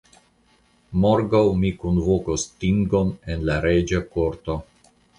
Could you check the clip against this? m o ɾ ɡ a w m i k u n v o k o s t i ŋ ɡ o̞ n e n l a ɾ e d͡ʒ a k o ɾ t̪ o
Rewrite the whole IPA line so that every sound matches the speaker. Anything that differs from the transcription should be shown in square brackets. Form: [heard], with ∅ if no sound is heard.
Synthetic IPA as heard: m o ɾ ɡ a w m i k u n v o k o s t i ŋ ɡ o̞ n e n l a ɾ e d͡ʒ a k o ɾ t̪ o

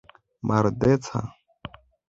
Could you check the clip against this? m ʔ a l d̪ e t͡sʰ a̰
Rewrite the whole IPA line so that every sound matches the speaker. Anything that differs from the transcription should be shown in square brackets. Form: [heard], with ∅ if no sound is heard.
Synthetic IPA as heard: m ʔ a [ɾ] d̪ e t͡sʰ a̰

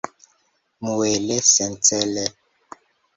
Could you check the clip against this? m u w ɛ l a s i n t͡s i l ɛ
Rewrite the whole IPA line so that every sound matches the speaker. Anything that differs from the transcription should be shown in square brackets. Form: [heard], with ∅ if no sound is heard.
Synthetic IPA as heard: m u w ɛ l [ɛ] s [ɛ] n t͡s [ɛ] l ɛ

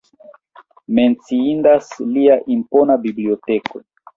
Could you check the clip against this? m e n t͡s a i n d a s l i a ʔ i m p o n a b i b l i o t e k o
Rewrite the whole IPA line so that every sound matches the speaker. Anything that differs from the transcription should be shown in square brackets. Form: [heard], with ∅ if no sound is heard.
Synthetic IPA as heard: m e n t͡s [i] i n d a s l i a ʔ i m p o n a b i b l i o t e k o

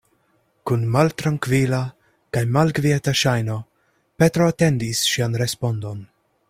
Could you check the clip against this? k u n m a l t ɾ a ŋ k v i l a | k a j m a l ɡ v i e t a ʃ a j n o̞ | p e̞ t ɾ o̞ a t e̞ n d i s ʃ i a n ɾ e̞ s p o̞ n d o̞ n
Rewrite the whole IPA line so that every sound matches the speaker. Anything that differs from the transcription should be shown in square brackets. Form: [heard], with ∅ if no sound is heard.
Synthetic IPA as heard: k u n m a l t ɾ a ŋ k v i l a | k a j m a l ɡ v i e t a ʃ a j n o̞ | p e̞ t ɾ o̞ a t e̞ n d i s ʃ i a n ɾ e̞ s p o̞ n d o̞ n

